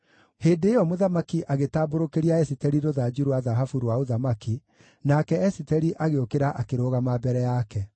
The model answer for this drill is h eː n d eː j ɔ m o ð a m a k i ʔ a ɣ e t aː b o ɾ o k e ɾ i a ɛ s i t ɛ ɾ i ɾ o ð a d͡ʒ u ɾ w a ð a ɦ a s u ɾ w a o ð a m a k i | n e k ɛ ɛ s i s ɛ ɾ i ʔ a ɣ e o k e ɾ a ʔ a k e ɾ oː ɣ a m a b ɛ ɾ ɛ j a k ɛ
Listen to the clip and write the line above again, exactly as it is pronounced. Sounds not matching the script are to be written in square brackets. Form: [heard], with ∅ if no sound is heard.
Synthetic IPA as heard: h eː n d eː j ɔ m o ð a m a k i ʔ a ɣ e t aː b o ɾ o k e ɾ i a ɛ s i t ɛ ɾ i ɾ o ð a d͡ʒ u ɾ w a ð a ɦ a [f] u ɾ w a o ð a m a k i | n [a] k ɛ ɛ s i [t] ɛ ɾ i ʔ a ɣ e o k e ɾ a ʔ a k e ɾ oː ɣ a m a b ɛ ɾ ɛ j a k ɛ